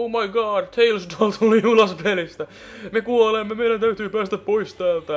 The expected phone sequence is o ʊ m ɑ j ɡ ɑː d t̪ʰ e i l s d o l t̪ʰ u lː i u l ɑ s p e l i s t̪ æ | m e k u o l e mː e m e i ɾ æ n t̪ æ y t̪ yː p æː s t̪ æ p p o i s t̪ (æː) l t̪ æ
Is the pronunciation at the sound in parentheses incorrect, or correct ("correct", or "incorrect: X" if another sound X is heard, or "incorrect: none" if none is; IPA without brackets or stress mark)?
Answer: correct